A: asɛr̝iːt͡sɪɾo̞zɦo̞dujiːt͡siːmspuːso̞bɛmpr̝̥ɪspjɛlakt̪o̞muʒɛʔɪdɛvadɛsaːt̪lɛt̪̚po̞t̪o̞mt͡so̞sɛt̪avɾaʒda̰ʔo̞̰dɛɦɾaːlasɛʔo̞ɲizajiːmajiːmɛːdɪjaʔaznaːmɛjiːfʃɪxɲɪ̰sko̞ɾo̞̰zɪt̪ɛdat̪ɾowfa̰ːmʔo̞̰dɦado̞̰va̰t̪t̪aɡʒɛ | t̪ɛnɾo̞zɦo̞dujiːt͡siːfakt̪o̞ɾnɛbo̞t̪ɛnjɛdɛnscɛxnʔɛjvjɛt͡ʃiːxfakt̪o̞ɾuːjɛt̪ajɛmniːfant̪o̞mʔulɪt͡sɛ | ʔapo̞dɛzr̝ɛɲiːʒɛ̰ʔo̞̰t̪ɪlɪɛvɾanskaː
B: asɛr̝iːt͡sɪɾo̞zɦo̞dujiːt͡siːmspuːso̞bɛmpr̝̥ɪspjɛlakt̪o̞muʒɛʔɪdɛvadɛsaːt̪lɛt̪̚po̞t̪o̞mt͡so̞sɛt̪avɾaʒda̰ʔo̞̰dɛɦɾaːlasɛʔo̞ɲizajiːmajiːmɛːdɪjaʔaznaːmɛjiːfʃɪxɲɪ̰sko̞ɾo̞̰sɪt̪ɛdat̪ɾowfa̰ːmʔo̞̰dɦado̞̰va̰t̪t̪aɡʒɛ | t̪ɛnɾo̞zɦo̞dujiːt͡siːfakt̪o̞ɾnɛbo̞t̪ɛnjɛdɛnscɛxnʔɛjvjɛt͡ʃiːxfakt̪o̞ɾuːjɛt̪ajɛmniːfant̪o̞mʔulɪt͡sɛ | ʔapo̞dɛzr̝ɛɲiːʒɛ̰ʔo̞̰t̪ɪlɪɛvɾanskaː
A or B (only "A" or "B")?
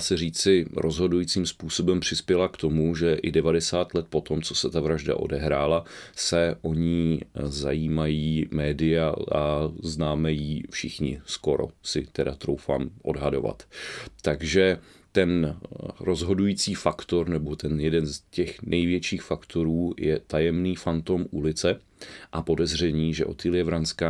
B